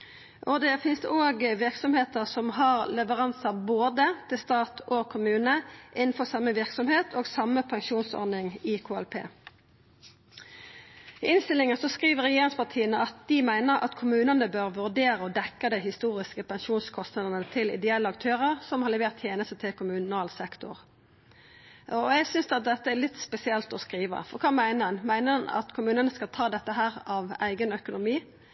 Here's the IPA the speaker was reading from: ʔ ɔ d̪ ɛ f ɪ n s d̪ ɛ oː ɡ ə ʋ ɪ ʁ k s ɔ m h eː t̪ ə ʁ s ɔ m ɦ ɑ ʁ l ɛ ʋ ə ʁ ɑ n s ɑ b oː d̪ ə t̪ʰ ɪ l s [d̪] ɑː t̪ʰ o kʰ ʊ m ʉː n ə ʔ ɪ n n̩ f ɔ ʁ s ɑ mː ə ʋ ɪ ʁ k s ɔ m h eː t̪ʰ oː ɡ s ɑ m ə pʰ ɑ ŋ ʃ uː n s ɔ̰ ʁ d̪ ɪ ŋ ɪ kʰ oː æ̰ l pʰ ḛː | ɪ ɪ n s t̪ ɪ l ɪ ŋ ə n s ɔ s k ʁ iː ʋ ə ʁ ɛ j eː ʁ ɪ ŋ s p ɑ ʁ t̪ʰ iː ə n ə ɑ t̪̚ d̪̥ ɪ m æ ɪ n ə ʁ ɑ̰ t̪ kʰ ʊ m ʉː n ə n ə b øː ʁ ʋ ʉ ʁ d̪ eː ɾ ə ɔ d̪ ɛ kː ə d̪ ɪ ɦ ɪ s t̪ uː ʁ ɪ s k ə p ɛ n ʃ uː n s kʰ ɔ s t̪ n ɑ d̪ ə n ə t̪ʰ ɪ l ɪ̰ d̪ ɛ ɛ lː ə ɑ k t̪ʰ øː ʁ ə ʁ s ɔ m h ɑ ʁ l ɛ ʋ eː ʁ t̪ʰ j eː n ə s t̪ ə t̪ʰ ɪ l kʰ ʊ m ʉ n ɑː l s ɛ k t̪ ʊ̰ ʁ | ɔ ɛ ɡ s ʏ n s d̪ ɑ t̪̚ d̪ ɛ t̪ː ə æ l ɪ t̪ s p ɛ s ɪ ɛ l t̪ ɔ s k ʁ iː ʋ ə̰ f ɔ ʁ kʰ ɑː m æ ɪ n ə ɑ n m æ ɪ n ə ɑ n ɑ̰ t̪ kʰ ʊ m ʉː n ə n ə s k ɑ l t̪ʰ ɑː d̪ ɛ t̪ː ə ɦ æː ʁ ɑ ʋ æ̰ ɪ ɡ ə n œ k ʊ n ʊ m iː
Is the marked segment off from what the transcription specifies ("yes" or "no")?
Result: yes